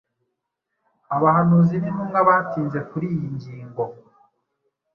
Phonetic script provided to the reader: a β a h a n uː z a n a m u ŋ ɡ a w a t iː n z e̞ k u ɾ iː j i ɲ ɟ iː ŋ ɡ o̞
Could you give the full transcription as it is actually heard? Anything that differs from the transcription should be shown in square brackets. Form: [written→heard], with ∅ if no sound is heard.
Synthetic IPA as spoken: a β a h a n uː z [a→i] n [a→i] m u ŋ ɡ a [w→β] a t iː n z e̞ k u ɾ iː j i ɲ ɟ iː ŋ ɡ o̞